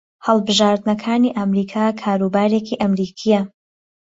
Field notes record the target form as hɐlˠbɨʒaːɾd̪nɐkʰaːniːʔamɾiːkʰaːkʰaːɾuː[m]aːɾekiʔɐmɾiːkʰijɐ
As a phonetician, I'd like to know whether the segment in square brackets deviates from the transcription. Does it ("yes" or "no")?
yes